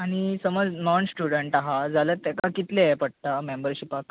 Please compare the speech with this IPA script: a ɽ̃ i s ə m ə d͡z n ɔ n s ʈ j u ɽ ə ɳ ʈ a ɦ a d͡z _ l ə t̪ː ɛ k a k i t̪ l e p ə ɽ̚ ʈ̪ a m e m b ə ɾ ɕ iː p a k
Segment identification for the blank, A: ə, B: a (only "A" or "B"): B